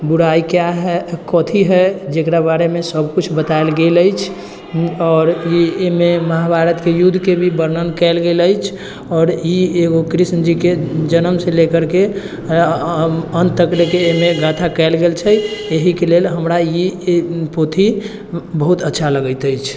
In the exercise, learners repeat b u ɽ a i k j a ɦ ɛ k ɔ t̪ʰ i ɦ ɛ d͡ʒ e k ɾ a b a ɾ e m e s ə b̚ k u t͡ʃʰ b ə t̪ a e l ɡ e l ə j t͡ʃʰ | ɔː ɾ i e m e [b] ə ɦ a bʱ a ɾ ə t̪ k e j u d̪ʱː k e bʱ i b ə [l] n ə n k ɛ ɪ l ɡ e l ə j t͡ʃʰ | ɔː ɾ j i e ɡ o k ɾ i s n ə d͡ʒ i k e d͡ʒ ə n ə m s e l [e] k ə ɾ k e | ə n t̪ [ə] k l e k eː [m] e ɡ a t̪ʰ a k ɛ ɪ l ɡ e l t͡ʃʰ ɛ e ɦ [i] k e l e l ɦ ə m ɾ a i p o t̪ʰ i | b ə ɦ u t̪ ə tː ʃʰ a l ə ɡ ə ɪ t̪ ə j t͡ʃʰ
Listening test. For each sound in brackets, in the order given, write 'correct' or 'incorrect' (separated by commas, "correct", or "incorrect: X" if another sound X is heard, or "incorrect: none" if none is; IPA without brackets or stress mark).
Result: incorrect: m, incorrect: ɾ, correct, correct, correct, correct